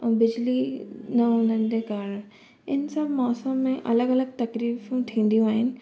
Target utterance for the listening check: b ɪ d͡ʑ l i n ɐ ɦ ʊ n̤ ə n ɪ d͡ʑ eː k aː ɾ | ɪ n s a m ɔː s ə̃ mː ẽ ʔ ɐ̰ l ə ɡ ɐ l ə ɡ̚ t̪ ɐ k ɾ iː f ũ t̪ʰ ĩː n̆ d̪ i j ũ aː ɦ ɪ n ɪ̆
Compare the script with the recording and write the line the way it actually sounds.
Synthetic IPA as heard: b ɪ d͡ʑ l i n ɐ ɦ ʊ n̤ ə n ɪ d͡ʑ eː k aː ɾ | ɪ n s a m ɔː s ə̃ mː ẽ ʔ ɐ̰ l ə ɡ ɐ l ə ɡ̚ t̪ ɐ k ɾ iː f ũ t̪ʰ ĩː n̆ d̪ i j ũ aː ɦ ɪ n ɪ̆